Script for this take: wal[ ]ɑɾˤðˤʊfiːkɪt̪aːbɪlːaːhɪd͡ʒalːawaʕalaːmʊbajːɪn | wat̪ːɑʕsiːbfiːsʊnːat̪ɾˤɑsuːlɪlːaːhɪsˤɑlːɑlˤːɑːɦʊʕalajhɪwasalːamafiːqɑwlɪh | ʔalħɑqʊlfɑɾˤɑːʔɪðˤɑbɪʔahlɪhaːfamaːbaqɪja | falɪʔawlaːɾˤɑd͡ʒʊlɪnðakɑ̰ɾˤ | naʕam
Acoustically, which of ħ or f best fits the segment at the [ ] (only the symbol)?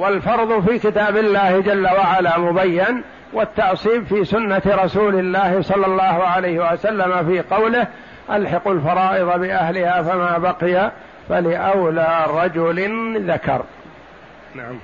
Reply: f